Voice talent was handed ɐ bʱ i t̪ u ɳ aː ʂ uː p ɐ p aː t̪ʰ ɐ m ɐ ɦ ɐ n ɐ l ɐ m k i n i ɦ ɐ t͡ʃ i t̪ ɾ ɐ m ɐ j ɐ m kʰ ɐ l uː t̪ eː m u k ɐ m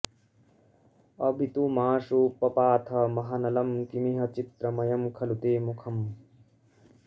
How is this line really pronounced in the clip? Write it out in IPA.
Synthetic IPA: ɐ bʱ i t̪ u m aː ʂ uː p ɐ p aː t̪ʰ ɐ m ɐ ɦ ɐ n ɐ l ɐ m k i m i ɦ ɐ t͡ʃ i t̪ ɾ ɐ m ɐ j ɐ m kʰ ɐ l u t̪ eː m u kʰ ɐ m